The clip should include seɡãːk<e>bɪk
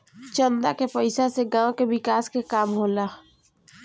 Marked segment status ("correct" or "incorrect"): correct